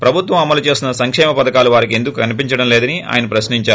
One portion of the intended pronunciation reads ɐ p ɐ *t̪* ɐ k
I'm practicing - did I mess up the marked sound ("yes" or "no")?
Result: yes